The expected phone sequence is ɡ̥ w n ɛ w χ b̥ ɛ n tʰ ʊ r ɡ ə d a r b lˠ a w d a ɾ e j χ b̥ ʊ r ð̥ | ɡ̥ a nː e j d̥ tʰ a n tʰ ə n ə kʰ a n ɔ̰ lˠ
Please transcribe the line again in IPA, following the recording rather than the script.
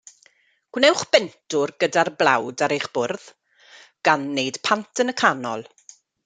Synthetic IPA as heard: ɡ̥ w n ɛ w χ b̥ ɛ n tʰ ʊ r ɡ ə d a r b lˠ a w d a ɾ e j χ b̥ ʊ r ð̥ | ɡ̥ a nː e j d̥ pʰ a n tʰ ə n ə kʰ a n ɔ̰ lˠ